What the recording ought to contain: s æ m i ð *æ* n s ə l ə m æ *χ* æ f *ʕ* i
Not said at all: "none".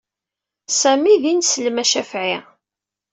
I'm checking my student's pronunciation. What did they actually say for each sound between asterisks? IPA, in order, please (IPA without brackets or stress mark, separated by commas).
i, ʃ, ʕ